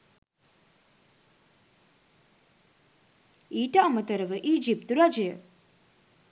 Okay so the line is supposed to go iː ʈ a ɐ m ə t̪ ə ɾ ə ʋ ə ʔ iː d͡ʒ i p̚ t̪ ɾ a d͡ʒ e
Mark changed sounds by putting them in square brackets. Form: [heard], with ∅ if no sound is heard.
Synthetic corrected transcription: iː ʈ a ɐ m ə t̪ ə ɾ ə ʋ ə ʔ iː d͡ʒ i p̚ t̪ ɾ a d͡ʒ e